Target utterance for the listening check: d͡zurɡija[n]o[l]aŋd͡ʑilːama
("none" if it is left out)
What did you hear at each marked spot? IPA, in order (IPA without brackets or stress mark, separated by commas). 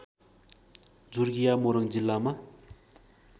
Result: m, ɾ